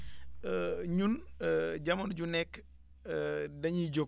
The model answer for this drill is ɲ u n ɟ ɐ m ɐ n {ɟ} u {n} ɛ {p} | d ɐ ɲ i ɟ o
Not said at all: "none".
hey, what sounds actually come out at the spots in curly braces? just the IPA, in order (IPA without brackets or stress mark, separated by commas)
ɟ, n, k